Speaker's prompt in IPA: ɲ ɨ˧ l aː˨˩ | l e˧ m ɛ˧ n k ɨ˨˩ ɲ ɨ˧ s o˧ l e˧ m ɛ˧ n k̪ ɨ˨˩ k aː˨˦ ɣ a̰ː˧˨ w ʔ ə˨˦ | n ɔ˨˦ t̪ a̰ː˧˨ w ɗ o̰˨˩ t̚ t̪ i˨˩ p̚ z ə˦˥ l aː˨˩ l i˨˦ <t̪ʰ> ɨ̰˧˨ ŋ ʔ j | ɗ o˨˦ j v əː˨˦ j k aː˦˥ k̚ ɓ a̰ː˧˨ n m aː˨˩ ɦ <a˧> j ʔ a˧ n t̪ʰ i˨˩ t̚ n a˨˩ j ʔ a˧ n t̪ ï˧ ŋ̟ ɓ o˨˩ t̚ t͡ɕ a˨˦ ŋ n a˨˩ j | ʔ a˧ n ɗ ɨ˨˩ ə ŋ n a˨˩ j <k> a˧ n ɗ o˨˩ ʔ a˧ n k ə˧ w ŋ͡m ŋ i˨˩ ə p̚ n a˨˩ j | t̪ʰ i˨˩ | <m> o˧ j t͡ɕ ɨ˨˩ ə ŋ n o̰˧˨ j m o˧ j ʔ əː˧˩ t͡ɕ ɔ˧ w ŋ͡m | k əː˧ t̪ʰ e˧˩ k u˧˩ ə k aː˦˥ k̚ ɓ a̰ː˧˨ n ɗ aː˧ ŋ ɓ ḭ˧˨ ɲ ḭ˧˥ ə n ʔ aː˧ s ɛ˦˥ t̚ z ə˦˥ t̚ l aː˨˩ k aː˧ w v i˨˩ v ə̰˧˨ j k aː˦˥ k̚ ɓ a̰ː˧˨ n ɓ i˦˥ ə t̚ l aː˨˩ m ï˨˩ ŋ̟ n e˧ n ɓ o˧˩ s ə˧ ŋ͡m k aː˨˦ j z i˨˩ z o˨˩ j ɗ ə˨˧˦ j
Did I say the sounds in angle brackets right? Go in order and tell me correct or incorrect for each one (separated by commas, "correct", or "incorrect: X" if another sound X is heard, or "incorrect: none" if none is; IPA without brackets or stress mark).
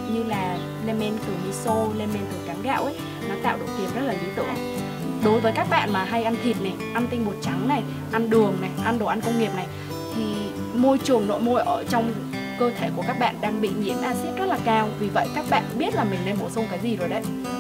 incorrect: t̪, correct, incorrect: ʔ, correct